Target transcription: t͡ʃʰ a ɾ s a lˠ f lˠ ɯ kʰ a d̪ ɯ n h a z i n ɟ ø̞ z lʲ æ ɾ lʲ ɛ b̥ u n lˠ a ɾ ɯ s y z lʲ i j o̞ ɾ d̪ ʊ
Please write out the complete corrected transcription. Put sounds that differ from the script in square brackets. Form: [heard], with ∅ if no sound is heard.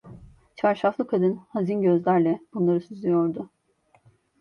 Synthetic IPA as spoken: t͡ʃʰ a ɾ [ʃ] a [∅] f lˠ ɯ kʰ a d̪ ɯ n h a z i n ɟ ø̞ z lʲ æ ɾ lʲ ɛ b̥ u n lˠ a ɾ ɯ s y z lʲ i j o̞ ɾ d̪ ʊ